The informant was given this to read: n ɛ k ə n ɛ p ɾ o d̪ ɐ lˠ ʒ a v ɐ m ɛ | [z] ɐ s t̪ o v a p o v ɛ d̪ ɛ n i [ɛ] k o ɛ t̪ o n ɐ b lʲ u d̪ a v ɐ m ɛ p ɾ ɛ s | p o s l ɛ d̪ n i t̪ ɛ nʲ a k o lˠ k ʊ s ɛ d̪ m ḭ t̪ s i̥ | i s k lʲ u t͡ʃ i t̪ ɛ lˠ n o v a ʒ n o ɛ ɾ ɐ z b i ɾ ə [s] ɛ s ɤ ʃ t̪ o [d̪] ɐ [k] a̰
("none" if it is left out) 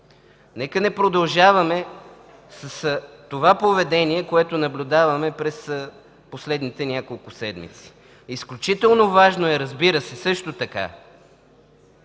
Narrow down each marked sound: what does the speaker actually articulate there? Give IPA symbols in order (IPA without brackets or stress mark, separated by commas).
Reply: s, ɛ, s, t̪, k